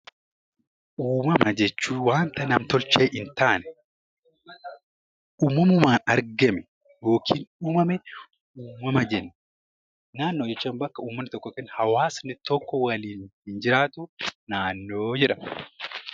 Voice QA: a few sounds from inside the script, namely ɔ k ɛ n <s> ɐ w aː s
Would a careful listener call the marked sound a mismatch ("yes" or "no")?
yes